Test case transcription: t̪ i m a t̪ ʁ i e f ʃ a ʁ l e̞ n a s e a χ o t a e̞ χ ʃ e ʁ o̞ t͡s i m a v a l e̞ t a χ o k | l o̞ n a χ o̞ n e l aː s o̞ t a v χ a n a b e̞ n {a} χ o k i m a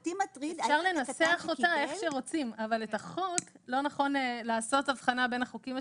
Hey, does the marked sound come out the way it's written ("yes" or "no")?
yes